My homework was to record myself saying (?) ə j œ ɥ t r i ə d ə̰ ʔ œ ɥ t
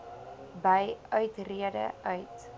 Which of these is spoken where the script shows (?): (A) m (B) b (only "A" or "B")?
B